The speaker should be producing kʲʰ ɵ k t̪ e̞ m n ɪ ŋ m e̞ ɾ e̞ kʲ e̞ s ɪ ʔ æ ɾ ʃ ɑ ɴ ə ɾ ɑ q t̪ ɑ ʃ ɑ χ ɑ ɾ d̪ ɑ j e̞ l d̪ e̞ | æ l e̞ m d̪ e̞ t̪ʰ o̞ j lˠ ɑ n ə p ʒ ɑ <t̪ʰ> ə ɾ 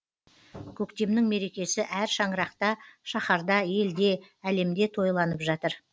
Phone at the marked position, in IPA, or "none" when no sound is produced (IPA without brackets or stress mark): t̪